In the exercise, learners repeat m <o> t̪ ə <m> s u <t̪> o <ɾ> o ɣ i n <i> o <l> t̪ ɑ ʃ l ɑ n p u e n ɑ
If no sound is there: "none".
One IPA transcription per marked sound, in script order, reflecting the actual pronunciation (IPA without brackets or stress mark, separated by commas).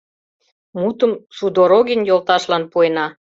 u, m, d̪, ɾ, j, l